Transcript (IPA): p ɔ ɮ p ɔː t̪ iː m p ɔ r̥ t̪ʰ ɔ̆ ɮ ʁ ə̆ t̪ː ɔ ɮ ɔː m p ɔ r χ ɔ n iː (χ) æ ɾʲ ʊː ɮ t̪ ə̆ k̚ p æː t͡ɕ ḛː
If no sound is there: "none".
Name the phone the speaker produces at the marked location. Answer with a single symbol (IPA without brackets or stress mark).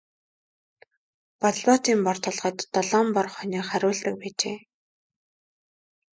χ